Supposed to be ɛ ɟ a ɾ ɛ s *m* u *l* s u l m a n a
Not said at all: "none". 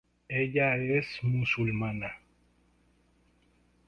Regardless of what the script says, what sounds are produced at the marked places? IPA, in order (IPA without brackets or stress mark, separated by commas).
m, none